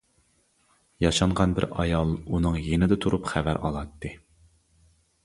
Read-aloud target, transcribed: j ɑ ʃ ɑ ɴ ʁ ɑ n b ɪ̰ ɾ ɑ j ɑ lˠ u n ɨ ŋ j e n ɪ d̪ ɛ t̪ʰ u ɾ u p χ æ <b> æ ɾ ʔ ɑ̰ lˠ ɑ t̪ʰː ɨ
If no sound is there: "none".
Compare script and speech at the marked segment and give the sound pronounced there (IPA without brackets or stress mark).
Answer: v